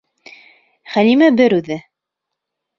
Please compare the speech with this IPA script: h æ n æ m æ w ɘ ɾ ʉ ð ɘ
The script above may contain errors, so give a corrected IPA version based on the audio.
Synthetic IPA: χ æ n i m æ b ɘ ɾ ʉ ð ɘ